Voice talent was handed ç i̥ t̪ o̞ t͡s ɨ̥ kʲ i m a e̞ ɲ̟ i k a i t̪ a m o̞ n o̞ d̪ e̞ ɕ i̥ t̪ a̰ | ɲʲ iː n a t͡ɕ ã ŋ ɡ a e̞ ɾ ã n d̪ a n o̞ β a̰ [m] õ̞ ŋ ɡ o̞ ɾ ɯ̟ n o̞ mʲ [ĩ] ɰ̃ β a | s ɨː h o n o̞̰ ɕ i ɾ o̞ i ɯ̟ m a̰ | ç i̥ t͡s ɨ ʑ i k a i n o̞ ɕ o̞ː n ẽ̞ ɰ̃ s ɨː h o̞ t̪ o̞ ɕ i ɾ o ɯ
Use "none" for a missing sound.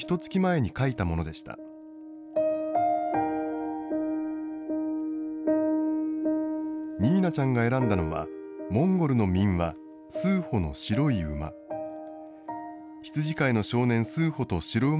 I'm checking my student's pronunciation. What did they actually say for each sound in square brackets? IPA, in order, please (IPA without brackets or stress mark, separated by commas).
m, ĩ